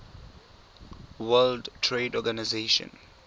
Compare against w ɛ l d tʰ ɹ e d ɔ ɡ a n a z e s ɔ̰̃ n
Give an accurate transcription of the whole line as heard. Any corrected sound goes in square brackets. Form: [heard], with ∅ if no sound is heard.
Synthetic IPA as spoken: w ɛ l d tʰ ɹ e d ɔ ɡ a n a z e [ʃ] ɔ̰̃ n